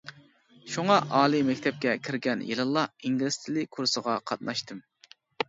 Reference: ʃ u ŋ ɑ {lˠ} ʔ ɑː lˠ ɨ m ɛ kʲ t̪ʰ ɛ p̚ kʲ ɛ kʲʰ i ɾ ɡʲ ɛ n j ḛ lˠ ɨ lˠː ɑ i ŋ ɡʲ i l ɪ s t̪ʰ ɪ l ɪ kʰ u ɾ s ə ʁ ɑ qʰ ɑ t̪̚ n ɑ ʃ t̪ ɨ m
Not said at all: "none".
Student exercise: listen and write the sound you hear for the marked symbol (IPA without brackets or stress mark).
none